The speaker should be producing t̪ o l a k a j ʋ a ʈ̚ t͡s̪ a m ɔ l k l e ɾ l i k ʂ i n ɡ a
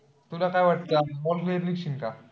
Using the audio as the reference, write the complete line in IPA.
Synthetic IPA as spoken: t̪ u l a k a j ʋ a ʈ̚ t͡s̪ a m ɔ l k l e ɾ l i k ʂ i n k a